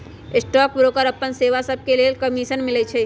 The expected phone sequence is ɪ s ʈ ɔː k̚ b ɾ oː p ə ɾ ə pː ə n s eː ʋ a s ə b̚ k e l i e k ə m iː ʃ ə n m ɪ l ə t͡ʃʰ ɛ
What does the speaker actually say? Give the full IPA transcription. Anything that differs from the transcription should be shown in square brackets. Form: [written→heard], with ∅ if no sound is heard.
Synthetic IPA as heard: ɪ s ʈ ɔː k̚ b ɾ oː [p→k] ə ɾ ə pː ə n s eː ʋ a s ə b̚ k e l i e k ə m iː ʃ ə n m ɪ l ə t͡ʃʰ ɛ

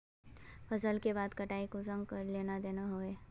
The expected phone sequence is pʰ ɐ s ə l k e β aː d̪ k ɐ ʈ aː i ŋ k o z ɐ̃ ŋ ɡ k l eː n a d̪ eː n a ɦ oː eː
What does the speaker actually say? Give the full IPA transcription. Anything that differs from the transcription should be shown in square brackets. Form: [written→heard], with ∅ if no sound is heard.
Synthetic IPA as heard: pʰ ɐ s ə l k e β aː d̪ k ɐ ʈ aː i [ŋ→∅] k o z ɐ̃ ŋ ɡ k l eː n a d̪ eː n a ɦ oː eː

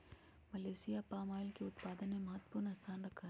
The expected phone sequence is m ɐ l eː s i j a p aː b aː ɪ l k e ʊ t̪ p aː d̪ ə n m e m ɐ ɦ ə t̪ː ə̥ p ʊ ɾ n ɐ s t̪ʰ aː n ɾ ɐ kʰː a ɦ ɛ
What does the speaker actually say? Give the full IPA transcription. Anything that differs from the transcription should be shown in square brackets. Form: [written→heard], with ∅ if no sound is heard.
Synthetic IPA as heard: m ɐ l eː s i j a p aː [b→m] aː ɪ l k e ʊ t̪ p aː d̪ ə n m e m ɐ ɦ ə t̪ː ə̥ p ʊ ɾ n ɐ s t̪ʰ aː n ɾ ɐ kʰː a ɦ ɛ

